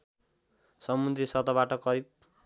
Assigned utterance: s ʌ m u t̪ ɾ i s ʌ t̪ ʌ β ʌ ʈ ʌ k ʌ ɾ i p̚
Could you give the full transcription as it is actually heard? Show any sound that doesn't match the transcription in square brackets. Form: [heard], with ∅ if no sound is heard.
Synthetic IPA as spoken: s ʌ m u [d̪] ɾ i s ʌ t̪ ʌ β [a] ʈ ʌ k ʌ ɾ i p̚